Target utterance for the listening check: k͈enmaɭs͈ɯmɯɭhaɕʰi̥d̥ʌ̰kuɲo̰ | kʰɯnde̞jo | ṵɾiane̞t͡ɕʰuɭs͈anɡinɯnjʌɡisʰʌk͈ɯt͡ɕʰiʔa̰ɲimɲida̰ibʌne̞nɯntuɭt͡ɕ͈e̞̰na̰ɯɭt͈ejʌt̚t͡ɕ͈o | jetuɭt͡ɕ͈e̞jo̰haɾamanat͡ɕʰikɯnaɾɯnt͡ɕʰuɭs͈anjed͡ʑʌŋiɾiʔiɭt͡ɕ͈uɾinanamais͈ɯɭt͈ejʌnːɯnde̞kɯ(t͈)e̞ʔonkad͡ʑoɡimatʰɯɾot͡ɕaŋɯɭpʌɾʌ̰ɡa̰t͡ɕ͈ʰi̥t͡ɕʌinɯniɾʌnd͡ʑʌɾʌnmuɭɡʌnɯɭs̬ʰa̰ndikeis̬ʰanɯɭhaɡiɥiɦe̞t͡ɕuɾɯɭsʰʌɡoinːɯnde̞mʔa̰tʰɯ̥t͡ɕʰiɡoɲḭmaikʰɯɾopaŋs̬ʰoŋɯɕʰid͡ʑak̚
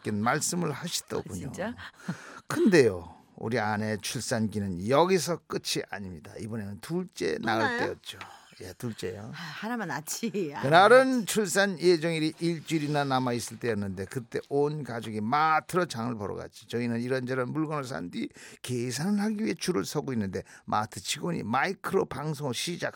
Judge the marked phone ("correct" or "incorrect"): correct